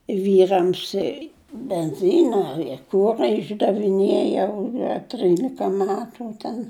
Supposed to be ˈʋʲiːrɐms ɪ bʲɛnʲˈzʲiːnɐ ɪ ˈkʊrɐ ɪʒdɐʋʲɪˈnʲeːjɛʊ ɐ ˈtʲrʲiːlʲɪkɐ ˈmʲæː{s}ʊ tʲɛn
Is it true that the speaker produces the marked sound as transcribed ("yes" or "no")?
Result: no